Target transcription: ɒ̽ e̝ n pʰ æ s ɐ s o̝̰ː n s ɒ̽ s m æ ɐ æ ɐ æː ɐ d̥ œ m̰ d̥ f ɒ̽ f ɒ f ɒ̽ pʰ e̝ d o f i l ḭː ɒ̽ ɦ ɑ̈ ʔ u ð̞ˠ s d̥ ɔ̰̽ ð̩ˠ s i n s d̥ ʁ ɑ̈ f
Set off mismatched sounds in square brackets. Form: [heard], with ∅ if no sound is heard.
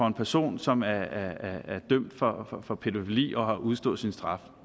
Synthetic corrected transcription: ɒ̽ e̝ n pʰ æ [∅] ɐ s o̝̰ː n s ɒ̽ [∅] m æ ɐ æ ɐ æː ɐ d̥ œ m̰ d̥ f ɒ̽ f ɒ f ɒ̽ pʰ e̝ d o f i l ḭː ɒ̽ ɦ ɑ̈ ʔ u ð̞ˠ s d̥ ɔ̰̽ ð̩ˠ s i n s d̥ ʁ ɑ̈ f